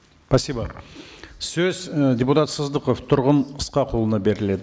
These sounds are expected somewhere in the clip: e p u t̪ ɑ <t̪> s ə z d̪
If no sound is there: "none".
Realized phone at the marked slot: t̪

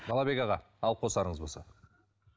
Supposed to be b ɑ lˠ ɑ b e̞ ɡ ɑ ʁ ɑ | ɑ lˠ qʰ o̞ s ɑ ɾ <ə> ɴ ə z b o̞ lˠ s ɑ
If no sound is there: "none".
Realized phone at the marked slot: ə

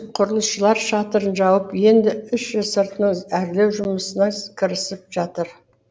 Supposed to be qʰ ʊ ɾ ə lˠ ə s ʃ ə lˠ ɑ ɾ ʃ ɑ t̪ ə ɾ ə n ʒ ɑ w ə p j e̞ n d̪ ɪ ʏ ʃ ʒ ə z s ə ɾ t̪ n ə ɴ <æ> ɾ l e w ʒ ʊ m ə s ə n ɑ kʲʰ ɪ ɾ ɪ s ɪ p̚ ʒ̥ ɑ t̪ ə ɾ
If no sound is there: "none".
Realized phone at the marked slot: æ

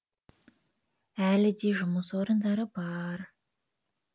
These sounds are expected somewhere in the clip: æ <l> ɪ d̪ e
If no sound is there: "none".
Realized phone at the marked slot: l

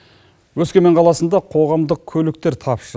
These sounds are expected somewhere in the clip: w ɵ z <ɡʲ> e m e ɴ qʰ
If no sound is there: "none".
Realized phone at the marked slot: kʲ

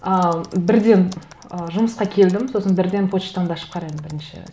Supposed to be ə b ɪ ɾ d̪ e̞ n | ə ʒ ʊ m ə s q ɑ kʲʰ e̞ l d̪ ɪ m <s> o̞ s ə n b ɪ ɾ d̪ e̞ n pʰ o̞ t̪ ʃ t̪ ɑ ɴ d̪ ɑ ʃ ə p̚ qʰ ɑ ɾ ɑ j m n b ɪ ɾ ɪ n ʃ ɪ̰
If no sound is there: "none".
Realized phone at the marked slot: s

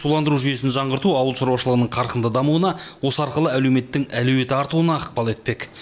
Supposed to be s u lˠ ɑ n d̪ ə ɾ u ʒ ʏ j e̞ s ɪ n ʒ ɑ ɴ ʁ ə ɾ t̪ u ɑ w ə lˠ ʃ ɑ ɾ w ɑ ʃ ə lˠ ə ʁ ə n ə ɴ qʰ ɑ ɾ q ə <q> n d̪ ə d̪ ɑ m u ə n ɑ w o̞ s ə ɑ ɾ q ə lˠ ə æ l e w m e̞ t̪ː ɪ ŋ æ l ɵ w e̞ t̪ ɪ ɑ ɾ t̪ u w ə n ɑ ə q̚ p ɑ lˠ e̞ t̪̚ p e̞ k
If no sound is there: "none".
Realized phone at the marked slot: none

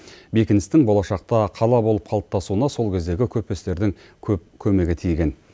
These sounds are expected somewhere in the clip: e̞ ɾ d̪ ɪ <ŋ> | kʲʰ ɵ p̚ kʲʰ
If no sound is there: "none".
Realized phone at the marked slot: ŋ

